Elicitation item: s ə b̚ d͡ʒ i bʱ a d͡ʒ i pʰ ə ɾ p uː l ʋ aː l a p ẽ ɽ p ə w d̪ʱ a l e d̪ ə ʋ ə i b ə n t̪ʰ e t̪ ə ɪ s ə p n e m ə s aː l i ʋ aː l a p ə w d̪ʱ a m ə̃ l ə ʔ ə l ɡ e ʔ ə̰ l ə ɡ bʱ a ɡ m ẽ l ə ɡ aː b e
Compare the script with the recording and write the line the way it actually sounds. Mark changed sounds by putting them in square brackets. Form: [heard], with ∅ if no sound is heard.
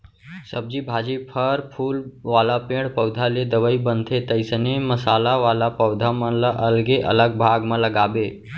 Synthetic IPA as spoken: s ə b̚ d͡ʒ i bʱ a d͡ʒ i pʰ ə ɾ [pʰ] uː l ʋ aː l a p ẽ ɽ p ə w d̪ʱ a l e d̪ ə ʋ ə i b ə n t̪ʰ e t̪ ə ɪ s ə [∅] n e m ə s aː l [a] ʋ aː l a p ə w d̪ʱ a m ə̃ l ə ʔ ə l ɡ e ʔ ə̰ l ə ɡ bʱ a ɡ m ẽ l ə ɡ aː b e

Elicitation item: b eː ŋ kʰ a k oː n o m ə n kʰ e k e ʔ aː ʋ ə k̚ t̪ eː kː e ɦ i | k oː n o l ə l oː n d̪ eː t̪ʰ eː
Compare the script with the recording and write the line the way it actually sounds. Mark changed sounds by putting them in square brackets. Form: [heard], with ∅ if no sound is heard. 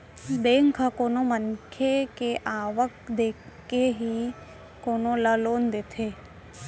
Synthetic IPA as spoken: b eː ŋ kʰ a k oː n o m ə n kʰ e k e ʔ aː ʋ ə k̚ [d̪] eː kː e ɦ i | k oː n o l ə l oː n d̪ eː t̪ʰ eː

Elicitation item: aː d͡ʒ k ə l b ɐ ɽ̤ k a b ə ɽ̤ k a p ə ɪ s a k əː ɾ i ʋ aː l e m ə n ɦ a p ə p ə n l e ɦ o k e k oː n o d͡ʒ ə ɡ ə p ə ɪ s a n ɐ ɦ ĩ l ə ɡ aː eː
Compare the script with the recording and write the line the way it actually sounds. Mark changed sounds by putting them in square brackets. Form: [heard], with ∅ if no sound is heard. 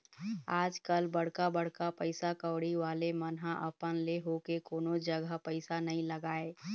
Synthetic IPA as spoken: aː d͡ʒ k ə l b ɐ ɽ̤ k a b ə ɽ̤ k a p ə ɪ s a k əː [ɽ] i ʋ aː l e m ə n ɦ a [ʔ] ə p ə n l e ɦ o k e k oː n o d͡ʒ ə ɡ ə p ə ɪ s a n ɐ ɦ ĩ l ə ɡ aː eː

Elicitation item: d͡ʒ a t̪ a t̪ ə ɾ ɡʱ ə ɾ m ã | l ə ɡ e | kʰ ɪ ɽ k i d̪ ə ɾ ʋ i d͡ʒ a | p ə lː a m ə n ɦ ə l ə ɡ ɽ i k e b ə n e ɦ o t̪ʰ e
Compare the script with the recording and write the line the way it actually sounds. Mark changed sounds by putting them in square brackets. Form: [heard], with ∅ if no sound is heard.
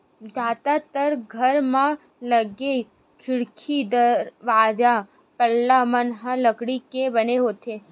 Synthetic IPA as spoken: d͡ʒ a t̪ a t̪ ə ɾ ɡʱ ə ɾ m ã | l ə ɡ e | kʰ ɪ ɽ [kʰ] i d̪ ə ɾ ʋ [a] d͡ʒ a | p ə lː a m ə n ɦ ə l ə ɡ ɽ i k e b ə n e ɦ o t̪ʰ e

